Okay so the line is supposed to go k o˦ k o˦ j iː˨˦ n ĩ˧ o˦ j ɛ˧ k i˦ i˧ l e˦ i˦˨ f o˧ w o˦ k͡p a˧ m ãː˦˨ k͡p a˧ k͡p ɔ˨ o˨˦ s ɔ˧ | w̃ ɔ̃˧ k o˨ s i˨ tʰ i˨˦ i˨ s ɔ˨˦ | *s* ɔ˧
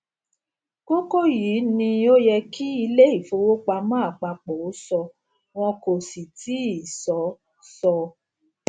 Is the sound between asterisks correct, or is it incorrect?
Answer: correct